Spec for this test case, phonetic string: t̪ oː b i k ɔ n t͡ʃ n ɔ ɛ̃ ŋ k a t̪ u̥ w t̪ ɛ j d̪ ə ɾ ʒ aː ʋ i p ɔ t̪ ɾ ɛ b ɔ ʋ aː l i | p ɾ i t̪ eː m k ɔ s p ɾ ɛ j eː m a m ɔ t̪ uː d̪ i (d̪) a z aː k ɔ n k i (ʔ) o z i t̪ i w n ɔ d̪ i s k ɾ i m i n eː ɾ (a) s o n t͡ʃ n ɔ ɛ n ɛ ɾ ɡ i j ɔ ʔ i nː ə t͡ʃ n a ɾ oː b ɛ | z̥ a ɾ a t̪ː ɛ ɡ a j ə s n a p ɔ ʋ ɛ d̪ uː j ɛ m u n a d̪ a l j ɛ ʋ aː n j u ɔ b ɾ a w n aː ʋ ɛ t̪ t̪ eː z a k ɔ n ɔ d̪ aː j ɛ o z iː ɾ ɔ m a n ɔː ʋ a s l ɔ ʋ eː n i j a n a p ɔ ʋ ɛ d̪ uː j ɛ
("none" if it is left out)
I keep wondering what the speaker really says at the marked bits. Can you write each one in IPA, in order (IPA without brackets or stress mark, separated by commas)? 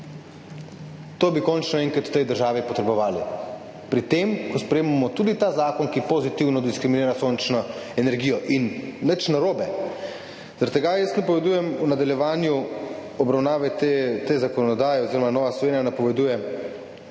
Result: t̪, p, a